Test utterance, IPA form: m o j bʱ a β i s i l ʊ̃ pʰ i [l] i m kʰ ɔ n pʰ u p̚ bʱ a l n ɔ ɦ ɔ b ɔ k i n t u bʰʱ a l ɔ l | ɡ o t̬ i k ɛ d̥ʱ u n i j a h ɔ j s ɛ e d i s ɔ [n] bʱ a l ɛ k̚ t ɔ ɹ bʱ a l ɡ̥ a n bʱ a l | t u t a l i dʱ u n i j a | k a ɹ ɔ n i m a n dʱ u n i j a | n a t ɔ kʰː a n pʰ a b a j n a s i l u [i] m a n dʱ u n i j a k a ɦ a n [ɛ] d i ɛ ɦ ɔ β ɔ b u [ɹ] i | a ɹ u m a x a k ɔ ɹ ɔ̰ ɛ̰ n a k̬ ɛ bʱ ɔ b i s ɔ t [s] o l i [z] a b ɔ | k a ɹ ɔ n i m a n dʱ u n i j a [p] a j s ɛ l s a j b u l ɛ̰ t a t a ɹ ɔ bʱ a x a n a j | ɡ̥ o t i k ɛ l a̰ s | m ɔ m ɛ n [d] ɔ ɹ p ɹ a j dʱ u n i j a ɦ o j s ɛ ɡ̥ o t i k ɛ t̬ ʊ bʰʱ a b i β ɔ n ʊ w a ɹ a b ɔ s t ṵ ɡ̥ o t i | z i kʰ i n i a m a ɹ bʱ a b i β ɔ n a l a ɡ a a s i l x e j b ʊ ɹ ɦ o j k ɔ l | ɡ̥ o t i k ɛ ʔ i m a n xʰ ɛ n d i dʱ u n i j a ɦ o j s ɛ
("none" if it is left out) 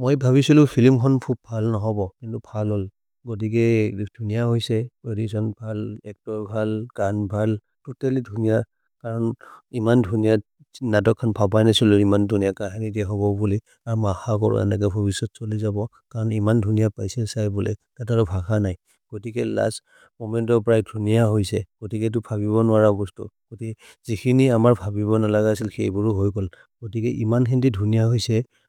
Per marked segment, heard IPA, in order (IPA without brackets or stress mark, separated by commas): l, n, i, i, l, s, z, p, t